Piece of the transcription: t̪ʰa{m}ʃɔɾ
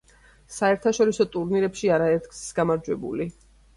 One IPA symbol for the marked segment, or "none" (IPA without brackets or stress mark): none